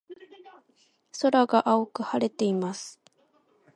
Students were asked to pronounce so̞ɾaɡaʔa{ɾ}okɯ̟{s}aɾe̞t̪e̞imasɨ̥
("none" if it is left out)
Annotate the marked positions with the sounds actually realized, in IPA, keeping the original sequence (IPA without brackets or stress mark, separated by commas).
none, h